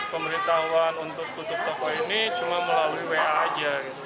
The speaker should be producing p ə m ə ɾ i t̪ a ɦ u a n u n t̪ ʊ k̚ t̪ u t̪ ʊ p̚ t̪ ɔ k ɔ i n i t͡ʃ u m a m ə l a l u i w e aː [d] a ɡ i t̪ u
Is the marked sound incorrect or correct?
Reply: incorrect